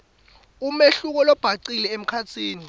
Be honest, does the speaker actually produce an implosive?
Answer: no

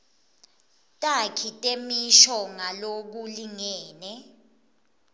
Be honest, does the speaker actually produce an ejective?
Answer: yes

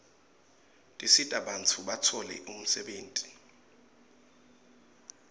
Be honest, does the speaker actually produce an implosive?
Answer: yes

